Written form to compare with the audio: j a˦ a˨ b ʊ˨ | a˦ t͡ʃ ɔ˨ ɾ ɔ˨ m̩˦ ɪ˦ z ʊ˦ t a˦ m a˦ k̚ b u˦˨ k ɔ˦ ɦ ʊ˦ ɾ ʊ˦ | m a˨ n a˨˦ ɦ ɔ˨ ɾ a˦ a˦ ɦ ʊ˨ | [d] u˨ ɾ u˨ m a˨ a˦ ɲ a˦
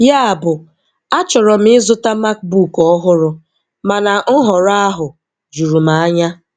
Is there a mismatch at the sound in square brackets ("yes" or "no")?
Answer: yes